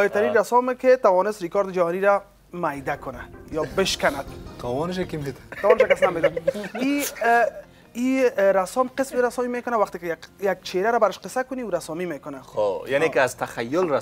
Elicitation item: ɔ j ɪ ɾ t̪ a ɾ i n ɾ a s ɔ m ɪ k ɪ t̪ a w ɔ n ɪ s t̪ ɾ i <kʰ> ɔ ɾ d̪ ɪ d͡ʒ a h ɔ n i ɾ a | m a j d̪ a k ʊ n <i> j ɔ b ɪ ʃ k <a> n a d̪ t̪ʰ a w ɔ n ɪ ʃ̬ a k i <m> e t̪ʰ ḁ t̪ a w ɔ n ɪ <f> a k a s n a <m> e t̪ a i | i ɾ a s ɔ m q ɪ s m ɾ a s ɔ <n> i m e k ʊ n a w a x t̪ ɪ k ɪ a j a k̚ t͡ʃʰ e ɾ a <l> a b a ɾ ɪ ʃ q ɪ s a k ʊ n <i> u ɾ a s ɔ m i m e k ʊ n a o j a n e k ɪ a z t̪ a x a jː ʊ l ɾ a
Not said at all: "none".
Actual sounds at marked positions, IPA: k, a, a, m, ʃ, m, m, ɾ, i

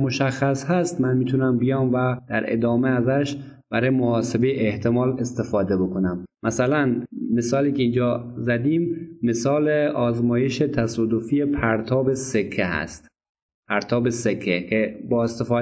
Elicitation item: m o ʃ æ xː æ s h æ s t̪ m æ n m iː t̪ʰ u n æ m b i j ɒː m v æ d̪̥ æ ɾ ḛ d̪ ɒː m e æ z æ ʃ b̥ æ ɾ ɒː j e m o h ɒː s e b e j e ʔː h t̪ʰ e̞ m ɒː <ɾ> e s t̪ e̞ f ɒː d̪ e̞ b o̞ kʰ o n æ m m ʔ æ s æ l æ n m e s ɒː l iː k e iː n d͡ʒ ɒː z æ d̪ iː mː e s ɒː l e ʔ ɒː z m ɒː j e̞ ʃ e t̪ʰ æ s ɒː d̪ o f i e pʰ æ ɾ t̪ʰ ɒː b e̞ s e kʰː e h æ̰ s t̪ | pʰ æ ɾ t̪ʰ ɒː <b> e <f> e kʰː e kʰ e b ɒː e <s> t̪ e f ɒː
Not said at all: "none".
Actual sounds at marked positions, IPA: l, b, s, s

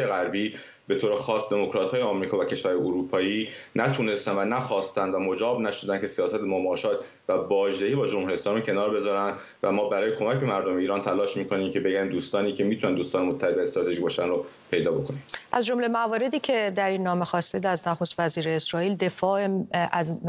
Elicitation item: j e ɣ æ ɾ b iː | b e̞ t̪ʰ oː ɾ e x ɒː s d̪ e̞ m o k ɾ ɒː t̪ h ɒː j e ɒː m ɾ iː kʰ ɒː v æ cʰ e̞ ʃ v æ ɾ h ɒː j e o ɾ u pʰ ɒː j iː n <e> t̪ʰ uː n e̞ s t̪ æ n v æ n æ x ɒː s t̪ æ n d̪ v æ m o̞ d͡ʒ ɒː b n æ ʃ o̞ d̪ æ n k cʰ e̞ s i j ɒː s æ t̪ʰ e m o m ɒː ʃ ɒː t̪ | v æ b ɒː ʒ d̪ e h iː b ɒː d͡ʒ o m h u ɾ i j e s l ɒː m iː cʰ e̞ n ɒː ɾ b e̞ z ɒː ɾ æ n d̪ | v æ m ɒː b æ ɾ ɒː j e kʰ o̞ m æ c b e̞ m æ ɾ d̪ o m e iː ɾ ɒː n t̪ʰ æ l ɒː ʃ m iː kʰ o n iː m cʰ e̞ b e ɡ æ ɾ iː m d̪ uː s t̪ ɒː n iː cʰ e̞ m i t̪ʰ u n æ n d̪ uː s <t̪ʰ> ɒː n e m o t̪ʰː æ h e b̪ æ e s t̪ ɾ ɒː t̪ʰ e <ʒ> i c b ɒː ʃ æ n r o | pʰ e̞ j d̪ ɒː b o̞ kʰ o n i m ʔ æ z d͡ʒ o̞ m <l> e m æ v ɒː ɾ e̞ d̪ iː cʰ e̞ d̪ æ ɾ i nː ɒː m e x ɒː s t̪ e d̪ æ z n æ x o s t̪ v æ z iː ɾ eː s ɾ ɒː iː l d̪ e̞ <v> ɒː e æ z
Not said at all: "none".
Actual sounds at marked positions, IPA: æ, t̪, ʒ, l, f

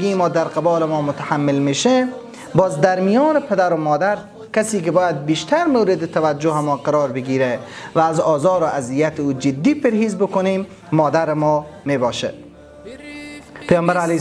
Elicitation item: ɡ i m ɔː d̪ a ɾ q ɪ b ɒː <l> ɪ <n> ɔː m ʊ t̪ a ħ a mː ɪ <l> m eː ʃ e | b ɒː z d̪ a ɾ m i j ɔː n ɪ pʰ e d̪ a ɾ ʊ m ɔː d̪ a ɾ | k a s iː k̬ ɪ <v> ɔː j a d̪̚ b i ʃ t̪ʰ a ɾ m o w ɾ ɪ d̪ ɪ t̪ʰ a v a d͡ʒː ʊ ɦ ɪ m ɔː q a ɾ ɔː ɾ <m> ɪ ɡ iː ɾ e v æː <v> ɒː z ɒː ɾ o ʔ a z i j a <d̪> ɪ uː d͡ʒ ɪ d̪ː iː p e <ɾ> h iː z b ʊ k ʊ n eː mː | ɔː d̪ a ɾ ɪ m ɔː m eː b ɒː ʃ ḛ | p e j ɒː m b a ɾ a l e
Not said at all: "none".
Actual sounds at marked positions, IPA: l, m, l, b, b, z, t̪, ɾ

